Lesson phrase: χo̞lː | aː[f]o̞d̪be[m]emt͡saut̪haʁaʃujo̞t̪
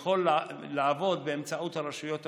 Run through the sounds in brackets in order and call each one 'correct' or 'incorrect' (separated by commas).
incorrect, incorrect